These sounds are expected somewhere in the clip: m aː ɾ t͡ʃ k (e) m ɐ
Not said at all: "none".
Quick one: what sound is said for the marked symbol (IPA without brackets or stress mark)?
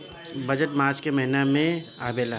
e